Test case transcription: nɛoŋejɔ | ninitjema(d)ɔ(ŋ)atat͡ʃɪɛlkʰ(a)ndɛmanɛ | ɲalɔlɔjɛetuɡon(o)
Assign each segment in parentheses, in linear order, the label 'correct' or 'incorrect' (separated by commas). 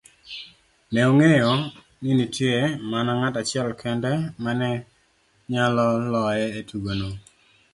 incorrect, correct, incorrect, correct